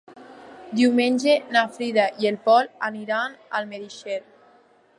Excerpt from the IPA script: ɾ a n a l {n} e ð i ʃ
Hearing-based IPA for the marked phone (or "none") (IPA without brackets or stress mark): m